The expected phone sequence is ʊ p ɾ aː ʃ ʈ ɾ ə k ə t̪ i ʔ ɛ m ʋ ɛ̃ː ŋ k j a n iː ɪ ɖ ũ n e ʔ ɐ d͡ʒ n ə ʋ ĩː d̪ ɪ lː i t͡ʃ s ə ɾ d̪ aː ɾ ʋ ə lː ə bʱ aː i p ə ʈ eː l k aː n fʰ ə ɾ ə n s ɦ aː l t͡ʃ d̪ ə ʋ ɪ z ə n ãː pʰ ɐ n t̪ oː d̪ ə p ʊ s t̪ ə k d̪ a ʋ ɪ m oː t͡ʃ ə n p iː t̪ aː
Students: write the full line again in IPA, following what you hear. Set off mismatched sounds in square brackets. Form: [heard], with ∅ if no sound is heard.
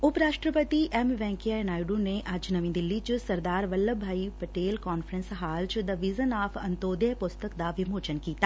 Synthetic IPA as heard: ʊ p ɾ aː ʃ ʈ ɾ ə [p] ə t̪ i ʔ ɛ m ʋ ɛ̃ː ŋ k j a n [aː] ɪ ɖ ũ n e ʔ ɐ d͡ʒ n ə ʋ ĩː d̪ ɪ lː i t͡ʃ s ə ɾ d̪ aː ɾ ʋ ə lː ə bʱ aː i p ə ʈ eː l k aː n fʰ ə ɾ ə n s ɦ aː l t͡ʃ d̪ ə ʋ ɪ z ə n [aː] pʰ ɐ n t̪ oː d̪ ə p ʊ s t̪ ə k d̪ a ʋ ɪ m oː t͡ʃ ə n [k] iː t̪ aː